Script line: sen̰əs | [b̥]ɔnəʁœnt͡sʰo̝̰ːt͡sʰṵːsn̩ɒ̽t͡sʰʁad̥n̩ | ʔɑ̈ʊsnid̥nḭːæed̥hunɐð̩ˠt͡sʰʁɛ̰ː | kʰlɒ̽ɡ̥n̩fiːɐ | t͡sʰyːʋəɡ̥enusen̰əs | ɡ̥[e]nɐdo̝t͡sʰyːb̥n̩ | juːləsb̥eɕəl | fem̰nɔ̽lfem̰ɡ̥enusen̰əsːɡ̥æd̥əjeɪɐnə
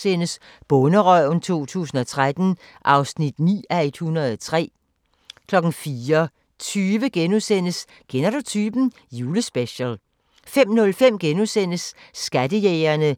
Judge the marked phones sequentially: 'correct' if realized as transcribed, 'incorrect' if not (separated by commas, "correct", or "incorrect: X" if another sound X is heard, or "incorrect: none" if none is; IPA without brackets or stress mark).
correct, correct